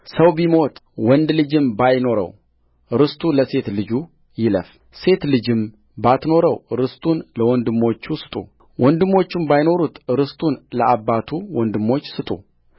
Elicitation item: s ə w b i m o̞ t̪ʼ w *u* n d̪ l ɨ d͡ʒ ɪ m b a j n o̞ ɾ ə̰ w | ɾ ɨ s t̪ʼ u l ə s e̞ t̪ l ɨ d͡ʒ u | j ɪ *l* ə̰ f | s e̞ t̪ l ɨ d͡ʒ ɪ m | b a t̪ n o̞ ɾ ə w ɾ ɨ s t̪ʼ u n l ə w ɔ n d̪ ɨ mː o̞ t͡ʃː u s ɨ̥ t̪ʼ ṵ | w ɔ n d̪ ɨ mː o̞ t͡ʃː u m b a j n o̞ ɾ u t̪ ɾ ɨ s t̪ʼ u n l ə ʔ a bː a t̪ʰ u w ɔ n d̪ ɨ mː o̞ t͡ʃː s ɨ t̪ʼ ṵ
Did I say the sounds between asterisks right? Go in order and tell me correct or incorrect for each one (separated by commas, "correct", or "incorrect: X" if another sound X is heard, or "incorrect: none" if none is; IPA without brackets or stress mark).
incorrect: ɔ, correct